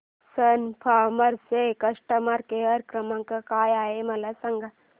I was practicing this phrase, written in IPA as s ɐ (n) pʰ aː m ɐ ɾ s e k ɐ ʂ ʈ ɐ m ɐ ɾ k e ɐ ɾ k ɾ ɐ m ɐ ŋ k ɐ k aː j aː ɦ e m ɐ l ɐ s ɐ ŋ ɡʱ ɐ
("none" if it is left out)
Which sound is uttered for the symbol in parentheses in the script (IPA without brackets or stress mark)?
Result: n